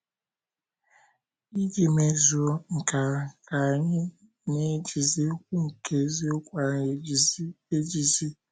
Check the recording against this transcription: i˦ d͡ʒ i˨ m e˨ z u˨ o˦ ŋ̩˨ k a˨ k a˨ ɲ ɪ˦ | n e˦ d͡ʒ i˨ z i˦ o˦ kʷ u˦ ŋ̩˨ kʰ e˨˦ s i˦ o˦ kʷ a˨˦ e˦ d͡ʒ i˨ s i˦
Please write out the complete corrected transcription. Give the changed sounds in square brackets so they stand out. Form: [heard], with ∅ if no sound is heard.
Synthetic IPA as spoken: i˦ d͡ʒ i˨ m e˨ z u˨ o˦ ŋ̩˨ k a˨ k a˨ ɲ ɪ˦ | n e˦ d͡ʒ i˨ z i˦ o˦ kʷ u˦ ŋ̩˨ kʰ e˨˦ [z] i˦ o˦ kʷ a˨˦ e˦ d͡ʒ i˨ [z] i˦